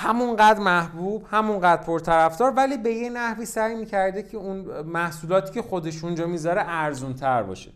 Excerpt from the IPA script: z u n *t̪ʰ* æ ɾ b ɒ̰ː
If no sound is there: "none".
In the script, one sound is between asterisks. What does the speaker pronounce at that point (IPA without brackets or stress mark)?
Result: t̪ʰ